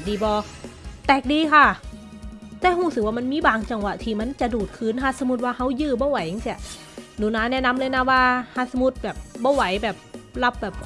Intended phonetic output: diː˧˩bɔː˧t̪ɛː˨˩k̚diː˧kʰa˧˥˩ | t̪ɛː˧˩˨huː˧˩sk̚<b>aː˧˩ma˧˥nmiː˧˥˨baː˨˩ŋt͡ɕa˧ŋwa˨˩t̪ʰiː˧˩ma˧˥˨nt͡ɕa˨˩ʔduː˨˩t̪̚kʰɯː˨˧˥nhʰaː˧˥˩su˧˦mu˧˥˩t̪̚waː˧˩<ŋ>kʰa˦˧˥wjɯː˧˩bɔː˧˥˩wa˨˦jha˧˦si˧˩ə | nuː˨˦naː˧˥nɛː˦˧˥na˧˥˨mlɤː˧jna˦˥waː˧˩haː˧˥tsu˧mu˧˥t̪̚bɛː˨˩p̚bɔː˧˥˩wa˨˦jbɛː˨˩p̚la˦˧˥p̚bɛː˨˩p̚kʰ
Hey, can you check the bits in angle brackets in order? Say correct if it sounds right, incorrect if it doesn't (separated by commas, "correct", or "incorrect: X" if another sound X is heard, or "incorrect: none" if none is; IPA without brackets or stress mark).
incorrect: w, incorrect: none